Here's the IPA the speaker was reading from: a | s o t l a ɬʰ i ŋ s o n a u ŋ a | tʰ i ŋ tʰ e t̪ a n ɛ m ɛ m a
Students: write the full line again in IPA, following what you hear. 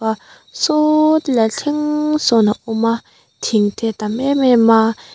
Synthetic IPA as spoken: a | s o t l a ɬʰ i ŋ s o n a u m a | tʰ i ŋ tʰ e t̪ a m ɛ m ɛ m a